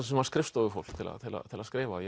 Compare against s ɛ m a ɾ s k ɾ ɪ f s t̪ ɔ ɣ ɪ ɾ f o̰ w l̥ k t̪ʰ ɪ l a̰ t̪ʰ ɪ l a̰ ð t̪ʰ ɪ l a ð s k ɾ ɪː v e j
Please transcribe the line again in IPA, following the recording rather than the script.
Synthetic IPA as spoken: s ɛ m a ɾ s k ɾ ɪ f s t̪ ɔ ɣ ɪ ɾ f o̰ w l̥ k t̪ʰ ɪ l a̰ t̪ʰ ɪ l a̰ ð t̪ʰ ɪ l a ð s k ɾ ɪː v a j